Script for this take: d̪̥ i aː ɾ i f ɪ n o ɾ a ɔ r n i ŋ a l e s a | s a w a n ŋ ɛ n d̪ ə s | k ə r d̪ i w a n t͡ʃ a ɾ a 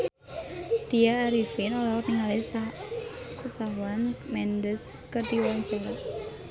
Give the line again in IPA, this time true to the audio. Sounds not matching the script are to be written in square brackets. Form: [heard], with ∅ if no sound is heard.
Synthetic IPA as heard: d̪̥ i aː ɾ i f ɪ n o [l] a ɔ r n i ŋ a l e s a | s a w a n [m] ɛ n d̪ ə s | k ə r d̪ i w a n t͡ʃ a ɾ a